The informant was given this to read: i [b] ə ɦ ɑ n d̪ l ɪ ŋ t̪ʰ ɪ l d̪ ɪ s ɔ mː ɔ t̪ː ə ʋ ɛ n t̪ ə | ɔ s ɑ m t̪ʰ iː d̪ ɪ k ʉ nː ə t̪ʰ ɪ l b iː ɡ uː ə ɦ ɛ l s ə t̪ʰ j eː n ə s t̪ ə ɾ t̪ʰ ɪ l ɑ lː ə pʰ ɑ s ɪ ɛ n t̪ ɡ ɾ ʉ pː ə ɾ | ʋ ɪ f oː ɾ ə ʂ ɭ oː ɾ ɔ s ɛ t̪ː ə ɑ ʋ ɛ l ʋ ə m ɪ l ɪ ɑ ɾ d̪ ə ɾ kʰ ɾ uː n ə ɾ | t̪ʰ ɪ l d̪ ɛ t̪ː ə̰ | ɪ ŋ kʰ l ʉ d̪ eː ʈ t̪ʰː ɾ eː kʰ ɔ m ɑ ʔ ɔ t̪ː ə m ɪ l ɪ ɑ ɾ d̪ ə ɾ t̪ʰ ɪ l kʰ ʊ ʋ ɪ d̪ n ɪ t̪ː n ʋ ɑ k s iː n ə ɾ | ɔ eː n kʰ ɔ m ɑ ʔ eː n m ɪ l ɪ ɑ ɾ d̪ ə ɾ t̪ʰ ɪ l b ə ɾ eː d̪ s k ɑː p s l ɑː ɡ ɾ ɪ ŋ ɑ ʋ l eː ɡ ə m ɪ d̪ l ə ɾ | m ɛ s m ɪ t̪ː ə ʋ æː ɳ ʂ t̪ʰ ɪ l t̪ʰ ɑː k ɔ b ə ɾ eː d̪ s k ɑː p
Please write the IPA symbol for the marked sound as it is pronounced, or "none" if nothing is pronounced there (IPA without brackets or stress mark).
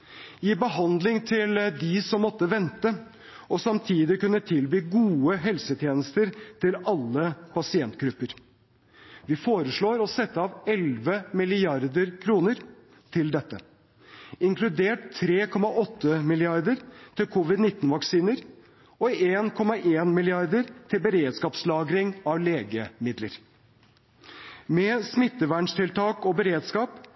b